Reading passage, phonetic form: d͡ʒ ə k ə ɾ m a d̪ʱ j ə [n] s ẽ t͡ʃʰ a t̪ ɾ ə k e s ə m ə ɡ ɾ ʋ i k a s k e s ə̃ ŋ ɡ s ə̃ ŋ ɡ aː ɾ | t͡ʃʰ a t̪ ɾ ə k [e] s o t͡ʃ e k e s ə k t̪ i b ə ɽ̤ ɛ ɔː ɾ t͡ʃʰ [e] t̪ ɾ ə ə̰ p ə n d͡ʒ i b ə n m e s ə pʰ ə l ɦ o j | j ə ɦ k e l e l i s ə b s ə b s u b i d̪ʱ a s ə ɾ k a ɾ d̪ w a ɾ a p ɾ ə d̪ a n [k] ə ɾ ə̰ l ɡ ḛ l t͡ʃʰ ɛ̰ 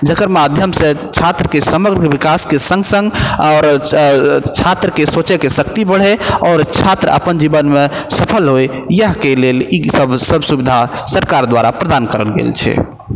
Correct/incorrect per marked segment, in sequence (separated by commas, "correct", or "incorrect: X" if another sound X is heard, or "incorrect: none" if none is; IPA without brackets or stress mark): incorrect: m, correct, incorrect: a, correct